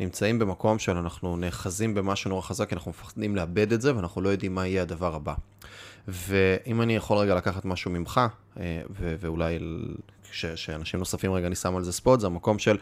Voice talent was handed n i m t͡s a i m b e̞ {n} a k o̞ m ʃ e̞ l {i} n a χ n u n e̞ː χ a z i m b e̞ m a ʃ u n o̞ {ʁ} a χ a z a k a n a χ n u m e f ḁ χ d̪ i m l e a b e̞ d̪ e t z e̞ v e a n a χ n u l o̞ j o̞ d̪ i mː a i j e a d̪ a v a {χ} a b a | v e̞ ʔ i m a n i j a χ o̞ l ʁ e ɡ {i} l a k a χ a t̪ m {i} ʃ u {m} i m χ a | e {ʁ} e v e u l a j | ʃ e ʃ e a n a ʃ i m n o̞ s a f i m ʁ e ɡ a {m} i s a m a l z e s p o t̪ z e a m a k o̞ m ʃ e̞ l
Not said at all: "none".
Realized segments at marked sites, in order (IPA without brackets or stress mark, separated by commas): m, a, ʁ, ʁ, a, a, m, v, n